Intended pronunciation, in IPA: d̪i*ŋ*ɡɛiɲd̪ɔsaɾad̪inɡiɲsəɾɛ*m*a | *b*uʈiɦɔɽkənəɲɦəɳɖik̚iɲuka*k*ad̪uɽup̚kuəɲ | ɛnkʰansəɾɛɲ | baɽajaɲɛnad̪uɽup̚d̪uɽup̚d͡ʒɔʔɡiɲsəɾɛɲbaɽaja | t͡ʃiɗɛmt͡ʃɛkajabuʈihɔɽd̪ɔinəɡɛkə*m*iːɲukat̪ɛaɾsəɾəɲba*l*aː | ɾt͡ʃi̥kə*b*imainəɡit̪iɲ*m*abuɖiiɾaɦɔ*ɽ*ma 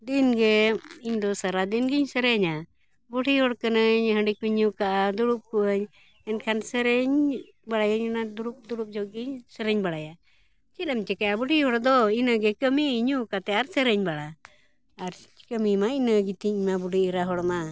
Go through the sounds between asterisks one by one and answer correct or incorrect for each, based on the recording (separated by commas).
incorrect, incorrect, correct, incorrect, correct, incorrect, incorrect, correct, correct